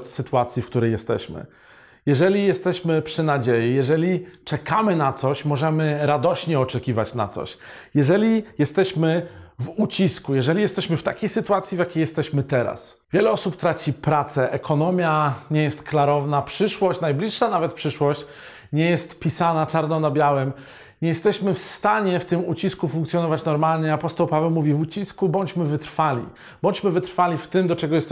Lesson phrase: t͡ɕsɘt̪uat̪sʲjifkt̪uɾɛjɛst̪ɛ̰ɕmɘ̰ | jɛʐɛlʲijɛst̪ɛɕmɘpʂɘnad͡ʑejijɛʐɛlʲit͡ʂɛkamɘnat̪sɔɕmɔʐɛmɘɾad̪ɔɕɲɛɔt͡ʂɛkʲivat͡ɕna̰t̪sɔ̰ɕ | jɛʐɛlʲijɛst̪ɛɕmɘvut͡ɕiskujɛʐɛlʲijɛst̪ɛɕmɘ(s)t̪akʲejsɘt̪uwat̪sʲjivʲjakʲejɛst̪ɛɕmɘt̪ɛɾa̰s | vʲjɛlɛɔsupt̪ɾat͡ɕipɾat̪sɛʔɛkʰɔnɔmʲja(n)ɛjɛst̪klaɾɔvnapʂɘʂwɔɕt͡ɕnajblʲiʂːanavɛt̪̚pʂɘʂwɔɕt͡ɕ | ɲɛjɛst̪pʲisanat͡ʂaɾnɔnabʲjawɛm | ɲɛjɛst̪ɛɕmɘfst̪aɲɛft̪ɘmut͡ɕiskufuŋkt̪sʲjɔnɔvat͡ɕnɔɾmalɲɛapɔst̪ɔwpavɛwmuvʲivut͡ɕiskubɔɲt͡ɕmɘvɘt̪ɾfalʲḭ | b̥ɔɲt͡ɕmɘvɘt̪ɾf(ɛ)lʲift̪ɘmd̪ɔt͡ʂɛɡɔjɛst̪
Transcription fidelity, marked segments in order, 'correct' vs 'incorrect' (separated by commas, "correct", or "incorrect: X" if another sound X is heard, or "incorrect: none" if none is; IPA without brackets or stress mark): incorrect: f, incorrect: ɲ, incorrect: a